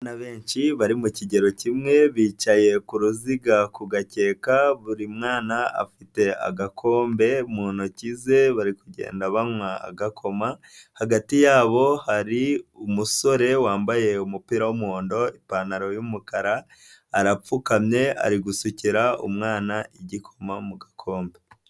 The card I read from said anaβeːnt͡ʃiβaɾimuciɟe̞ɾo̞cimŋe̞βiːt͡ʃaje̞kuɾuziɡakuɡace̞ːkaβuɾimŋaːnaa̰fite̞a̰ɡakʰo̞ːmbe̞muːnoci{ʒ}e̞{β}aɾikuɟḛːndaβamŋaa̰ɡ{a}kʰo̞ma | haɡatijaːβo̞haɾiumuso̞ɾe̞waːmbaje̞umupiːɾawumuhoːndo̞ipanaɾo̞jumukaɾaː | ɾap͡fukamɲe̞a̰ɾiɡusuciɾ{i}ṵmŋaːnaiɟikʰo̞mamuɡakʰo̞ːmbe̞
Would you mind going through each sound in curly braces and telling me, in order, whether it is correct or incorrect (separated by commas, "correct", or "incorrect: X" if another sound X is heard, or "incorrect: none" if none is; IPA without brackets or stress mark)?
incorrect: z, correct, correct, incorrect: a